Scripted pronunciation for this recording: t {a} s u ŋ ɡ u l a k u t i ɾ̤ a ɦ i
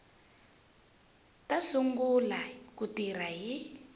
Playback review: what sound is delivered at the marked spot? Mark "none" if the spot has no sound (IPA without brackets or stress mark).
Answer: a